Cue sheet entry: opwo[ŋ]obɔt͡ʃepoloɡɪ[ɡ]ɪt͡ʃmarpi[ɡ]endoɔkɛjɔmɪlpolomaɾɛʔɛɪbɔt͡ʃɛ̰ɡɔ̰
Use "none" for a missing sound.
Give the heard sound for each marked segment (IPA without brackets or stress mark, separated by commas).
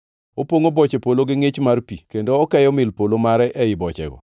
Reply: ŋ, ŋ, k